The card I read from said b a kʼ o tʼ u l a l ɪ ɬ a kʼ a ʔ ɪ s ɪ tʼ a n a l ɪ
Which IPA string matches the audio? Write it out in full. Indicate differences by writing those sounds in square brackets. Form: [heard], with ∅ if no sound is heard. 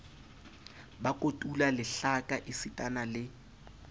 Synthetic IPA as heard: b a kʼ o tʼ u l a l ɪ ɬ a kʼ a ʔ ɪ s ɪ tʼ a n a l ɪ